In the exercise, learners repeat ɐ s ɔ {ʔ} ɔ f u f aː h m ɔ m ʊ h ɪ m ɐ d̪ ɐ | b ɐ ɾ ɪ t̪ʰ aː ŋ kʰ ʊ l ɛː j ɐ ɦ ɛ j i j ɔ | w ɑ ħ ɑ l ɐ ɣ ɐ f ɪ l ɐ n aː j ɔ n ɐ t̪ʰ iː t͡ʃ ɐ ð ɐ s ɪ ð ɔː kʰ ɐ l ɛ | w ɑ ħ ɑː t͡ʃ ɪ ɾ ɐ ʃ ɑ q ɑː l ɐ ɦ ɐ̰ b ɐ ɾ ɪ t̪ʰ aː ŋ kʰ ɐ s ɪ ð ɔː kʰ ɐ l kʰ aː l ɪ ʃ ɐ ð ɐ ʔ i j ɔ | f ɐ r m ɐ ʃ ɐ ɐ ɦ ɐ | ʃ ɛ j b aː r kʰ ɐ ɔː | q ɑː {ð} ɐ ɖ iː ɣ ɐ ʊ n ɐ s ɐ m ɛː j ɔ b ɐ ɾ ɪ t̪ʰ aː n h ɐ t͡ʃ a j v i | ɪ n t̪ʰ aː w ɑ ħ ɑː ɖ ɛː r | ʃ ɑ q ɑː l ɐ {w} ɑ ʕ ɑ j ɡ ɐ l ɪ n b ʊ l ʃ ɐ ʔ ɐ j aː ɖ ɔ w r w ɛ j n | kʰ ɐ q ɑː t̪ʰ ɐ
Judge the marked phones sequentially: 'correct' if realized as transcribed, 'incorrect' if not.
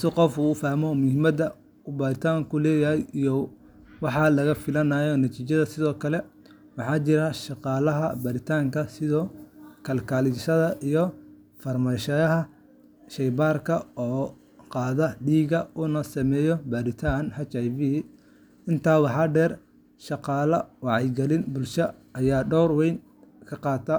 incorrect: q, correct, correct

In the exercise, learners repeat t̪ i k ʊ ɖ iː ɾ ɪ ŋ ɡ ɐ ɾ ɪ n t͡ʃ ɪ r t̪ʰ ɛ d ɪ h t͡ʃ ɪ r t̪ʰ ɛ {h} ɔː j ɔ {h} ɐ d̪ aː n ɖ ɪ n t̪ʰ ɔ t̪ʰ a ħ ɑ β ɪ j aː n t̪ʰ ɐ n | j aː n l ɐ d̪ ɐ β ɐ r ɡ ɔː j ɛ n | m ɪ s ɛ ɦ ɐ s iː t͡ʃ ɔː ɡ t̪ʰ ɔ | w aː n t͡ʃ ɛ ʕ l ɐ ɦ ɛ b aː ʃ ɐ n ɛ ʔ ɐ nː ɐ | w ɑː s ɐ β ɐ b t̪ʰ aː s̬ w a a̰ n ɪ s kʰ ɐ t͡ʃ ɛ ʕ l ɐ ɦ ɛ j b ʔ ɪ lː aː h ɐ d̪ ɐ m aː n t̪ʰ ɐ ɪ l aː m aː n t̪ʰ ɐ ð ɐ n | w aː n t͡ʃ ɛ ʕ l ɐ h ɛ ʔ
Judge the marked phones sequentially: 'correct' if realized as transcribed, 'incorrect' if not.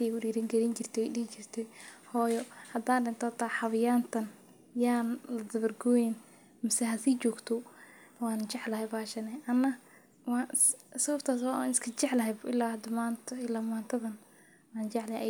correct, correct

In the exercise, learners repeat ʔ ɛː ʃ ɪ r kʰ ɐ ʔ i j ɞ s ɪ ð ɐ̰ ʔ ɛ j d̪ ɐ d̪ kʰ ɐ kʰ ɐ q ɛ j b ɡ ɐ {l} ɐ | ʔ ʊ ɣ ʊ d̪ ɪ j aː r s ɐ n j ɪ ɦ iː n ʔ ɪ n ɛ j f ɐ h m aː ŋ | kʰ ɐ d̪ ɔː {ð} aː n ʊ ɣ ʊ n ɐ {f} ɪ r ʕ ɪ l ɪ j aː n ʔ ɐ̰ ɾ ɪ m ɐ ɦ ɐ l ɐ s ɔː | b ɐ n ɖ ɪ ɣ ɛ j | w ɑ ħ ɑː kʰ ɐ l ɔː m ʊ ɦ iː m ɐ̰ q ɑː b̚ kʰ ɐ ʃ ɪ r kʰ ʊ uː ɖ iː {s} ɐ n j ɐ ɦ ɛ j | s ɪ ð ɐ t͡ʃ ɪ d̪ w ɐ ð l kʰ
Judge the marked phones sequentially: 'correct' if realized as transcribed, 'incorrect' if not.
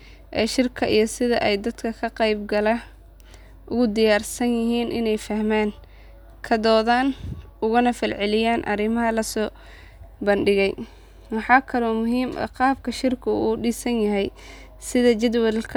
correct, correct, correct, correct

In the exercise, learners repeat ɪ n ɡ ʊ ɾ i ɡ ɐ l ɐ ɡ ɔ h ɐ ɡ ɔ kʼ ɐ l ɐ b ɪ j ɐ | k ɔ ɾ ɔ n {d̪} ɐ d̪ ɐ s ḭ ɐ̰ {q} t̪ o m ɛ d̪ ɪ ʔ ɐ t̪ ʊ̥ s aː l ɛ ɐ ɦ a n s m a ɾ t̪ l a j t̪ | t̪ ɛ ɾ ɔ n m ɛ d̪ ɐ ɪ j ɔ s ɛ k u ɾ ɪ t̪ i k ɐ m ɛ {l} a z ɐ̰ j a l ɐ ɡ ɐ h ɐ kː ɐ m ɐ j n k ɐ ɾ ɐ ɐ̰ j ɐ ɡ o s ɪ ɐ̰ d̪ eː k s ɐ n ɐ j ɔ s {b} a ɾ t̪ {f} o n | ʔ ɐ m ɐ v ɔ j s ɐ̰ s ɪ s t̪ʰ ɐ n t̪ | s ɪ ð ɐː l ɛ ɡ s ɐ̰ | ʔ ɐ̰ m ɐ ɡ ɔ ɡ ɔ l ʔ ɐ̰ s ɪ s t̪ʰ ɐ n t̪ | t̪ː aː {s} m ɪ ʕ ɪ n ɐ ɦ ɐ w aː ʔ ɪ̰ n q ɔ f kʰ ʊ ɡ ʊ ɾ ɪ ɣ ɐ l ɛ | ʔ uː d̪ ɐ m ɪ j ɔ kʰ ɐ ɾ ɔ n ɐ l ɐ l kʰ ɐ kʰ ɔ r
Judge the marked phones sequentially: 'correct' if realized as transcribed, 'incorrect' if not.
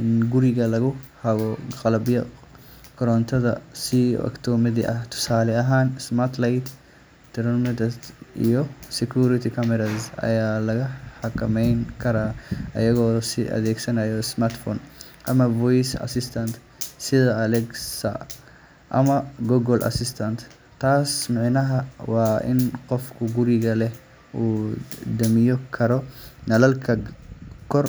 incorrect: t̪, incorrect: k, incorrect: ɾ, incorrect: m, correct, correct

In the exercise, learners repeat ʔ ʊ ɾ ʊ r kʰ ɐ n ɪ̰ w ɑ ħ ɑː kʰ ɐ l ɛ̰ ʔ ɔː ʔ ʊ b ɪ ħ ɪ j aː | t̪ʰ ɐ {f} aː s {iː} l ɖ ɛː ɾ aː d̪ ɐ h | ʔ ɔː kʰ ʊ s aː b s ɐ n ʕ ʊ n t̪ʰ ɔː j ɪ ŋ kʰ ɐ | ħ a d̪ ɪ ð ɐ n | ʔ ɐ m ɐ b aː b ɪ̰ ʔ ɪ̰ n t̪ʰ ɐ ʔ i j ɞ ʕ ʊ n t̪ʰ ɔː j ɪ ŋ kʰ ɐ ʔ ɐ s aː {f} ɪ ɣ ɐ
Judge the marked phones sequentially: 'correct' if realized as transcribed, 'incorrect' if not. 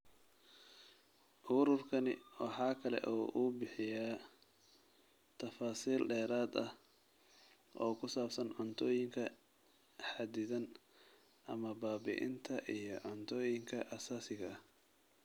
correct, correct, incorrect: s

